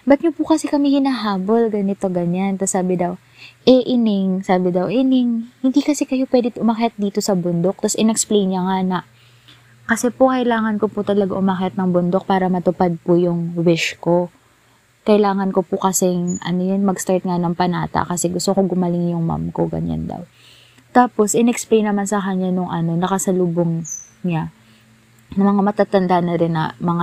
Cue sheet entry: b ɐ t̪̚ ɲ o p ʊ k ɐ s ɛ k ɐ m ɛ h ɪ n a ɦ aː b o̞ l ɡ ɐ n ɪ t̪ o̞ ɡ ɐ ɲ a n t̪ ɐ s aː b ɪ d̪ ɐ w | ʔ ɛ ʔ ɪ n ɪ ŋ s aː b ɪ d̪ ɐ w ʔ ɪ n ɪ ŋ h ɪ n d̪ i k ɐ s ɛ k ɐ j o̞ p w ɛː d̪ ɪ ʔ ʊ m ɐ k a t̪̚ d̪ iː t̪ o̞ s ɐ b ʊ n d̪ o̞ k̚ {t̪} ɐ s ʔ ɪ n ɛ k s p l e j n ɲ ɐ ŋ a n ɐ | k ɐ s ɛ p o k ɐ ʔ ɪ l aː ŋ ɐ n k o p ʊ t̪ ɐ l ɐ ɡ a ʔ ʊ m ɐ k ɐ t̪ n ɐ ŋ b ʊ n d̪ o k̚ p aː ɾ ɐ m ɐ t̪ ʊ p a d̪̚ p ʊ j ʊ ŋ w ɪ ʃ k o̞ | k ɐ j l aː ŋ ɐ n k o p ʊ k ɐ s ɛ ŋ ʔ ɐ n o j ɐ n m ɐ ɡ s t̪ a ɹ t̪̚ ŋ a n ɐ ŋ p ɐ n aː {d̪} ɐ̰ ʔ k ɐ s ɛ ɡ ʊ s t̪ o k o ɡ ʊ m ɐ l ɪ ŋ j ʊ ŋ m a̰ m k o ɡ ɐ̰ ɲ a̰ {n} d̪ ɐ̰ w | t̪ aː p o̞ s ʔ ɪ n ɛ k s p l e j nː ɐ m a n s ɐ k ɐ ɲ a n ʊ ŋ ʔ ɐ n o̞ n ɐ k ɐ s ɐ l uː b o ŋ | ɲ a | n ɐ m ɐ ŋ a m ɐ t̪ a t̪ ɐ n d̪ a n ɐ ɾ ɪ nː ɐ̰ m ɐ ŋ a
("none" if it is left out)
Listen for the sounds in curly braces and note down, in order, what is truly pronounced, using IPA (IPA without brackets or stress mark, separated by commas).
t̪, t̪, n